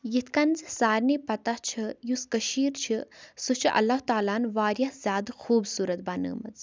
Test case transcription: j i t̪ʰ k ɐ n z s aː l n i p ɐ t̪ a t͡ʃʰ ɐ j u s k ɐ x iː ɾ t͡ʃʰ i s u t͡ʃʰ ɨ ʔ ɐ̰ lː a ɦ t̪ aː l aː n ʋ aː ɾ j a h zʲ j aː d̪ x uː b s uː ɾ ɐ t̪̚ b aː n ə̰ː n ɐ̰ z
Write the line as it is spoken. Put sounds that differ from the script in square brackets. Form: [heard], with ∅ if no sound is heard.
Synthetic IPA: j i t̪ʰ k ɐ n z s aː [ɾ] n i p ɐ t̪ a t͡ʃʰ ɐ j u s k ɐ [ʃ] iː ɾ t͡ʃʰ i s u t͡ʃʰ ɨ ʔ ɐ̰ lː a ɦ t̪ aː l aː n ʋ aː ɾ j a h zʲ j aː d̪ x uː b s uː ɾ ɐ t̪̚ b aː n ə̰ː [m] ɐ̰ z